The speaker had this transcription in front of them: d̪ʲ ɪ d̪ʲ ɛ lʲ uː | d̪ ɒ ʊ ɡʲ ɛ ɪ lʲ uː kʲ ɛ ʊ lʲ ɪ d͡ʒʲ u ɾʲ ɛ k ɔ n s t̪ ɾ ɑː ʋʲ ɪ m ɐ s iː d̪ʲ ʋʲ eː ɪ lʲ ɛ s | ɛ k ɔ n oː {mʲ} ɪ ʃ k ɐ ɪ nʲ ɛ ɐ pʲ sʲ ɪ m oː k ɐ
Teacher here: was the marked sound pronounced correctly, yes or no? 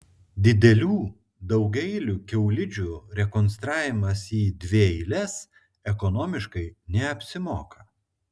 yes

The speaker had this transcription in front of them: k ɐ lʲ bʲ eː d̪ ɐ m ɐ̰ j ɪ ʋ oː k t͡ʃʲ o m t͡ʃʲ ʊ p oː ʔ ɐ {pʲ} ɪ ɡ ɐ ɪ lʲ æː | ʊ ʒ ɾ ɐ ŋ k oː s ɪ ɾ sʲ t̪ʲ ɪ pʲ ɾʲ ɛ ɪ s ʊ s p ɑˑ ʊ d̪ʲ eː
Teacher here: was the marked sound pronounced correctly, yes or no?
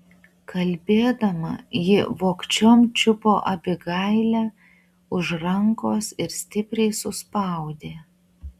no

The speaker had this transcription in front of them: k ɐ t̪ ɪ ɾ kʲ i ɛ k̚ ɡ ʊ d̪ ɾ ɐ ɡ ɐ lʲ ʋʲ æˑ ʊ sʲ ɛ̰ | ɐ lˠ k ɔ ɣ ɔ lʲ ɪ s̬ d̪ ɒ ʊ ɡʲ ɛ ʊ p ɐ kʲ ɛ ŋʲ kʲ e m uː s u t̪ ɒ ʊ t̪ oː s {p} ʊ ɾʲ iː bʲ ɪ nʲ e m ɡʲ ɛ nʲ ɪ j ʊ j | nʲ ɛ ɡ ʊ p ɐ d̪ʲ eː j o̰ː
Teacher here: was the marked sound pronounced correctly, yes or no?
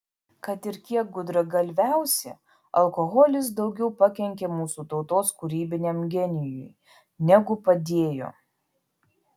no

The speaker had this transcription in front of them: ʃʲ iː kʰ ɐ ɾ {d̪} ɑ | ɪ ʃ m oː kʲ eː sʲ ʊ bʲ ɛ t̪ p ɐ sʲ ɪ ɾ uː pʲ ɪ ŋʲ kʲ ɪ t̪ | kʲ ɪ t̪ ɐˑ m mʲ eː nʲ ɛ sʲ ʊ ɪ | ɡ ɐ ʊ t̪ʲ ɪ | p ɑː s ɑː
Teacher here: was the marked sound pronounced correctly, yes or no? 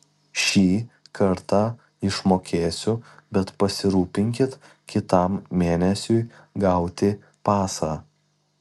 no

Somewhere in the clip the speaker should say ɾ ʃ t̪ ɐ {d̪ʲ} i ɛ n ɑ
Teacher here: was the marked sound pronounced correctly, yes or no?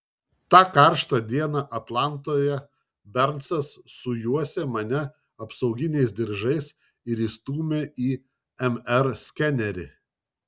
yes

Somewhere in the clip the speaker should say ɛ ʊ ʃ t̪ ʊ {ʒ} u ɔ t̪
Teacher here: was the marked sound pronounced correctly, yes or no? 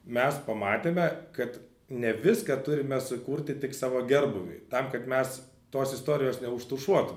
no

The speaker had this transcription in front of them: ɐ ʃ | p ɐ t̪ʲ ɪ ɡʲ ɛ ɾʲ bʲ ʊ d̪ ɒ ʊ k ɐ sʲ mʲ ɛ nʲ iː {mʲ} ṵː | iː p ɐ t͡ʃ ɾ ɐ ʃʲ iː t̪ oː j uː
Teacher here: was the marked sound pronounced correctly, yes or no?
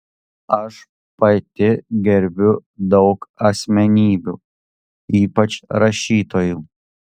no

